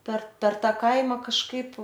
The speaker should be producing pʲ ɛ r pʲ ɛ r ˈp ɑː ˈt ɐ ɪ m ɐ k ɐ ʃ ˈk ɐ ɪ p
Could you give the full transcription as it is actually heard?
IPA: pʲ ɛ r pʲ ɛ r ˈt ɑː ˈk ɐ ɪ m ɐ k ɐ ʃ ˈk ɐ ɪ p